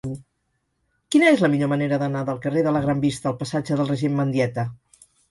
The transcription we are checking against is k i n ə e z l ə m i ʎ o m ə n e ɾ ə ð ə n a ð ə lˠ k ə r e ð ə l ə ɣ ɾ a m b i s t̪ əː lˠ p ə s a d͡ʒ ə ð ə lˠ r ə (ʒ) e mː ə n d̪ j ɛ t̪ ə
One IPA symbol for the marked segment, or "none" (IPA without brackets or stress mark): ʒ